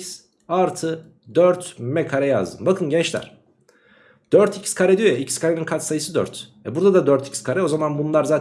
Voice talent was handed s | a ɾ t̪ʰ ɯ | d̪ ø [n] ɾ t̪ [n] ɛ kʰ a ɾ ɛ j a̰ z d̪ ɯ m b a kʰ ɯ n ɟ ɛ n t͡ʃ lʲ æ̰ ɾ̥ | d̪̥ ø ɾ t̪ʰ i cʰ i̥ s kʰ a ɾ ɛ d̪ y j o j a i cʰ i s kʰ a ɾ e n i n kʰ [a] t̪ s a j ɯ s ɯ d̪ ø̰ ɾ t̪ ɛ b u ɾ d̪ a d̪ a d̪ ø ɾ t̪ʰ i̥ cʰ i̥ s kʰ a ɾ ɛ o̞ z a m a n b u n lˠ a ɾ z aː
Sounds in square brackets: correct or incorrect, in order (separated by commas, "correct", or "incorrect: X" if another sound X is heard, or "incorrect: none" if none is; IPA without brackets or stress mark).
incorrect: none, incorrect: m, correct